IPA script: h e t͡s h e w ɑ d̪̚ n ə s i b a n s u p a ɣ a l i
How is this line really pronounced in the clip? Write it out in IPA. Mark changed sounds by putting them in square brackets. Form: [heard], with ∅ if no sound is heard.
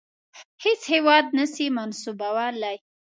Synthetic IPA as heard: h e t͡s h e w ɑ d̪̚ n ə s i [m] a n s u [b] a [w] a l [a]